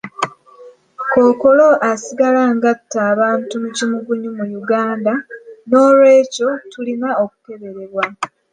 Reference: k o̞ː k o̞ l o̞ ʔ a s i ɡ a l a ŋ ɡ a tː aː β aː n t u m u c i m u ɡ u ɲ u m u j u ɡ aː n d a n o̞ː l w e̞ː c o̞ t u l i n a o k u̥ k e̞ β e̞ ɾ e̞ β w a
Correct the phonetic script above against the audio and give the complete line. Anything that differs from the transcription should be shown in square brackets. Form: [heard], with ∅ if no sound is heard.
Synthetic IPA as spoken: k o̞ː k o̞ l o̞ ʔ a s i ɡ a l a ŋ ɡ a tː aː β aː n t u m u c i m u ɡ u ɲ u m u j u ɡ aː n d a n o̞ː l w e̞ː c o̞ t u l i n a o k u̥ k e̞ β e̞ ɾ e̞ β w a